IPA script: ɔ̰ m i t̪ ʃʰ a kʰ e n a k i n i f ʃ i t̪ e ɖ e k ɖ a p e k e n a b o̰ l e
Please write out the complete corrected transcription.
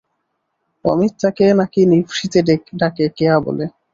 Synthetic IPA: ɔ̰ m i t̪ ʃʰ a k e n a k i n i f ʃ i t̪ e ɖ e k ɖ a k e k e a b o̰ l e